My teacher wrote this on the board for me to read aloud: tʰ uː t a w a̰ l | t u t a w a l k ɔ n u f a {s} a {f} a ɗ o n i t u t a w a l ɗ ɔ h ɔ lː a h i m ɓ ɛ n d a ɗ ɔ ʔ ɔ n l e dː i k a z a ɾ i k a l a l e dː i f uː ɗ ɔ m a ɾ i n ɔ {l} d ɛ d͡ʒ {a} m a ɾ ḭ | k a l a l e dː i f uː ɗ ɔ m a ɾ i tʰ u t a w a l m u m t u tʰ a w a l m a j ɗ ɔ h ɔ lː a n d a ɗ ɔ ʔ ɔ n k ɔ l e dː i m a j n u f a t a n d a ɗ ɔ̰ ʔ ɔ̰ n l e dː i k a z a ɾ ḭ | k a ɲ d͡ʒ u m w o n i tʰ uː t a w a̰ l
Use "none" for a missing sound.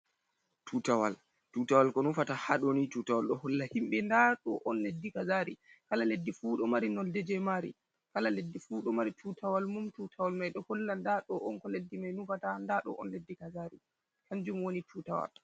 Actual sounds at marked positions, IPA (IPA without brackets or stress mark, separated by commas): t, h, l, ɛ